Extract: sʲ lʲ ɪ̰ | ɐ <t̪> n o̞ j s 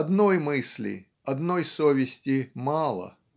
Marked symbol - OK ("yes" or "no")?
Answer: no